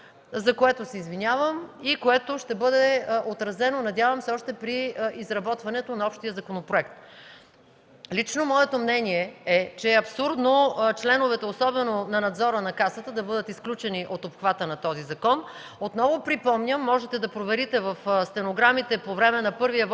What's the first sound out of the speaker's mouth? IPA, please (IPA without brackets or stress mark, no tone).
z